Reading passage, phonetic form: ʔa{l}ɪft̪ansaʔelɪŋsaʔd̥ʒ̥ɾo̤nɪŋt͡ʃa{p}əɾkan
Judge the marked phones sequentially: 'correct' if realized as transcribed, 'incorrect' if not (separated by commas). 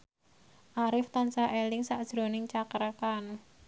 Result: incorrect, incorrect